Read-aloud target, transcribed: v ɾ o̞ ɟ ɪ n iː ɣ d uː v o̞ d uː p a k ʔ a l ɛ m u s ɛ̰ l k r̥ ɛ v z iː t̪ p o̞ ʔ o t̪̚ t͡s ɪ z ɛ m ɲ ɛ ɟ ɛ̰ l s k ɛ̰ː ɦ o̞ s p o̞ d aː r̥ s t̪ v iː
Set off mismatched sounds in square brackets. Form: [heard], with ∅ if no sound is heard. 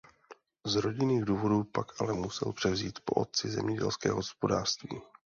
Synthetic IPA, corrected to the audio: [z] ɾ o̞ ɟ ɪ n iː ɣ d uː v o̞ d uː p a k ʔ a l ɛ m u s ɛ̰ l [p] r̥ ɛ v z iː t̪ p o̞ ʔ o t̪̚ t͡s ɪ z ɛ m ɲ ɛ ɟ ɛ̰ l s k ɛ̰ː ɦ o̞ s p o̞ d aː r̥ s t̪ v iː